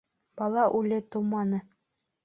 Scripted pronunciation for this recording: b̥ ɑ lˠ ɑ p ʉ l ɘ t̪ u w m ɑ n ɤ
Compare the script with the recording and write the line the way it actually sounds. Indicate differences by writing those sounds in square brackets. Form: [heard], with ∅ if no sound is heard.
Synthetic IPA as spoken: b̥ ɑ lˠ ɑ [ʔ] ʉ l ɘ t̪ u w m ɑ n ɤ